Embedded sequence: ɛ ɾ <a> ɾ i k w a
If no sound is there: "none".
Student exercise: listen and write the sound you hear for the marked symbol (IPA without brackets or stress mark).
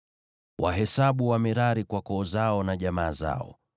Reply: a